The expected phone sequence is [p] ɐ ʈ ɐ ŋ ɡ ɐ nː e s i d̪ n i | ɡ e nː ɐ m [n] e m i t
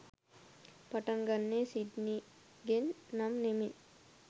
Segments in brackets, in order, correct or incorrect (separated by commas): correct, correct